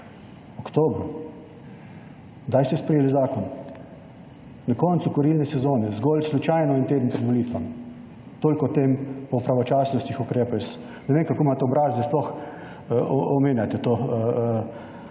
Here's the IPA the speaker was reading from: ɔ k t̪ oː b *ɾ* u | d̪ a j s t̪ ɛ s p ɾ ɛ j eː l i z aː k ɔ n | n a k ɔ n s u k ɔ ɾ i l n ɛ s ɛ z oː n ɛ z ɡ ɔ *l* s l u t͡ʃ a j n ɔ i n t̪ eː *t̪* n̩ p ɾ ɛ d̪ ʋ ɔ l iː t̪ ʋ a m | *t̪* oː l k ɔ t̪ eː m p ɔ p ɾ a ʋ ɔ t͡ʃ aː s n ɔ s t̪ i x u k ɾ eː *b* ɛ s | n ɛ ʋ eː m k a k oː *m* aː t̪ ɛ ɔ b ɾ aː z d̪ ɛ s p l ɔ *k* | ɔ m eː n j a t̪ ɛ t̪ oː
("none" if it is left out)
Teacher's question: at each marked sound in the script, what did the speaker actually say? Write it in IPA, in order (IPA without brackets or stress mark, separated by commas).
ɾ, l, d̪, t̪, p, m, x